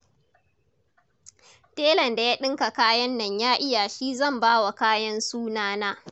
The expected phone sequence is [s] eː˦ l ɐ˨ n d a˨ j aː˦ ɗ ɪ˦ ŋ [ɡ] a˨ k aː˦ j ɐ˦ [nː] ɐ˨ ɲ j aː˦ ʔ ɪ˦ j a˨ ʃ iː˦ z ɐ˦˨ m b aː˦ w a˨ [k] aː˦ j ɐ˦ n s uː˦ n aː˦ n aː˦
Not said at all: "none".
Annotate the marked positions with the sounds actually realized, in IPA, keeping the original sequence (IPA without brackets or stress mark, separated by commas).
t, k, nː, k